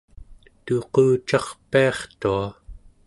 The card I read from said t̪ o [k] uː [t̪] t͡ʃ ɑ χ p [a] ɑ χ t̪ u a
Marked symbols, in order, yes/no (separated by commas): no, no, no